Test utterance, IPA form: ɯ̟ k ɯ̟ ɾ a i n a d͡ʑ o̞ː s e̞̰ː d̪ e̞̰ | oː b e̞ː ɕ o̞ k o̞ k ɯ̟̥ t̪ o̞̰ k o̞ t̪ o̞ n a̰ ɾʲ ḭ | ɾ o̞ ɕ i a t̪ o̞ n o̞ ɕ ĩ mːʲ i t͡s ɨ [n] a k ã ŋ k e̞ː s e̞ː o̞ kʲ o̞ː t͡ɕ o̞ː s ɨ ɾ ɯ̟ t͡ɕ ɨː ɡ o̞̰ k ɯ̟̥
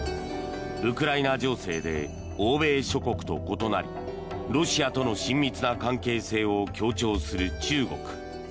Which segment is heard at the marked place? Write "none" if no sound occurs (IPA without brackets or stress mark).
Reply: n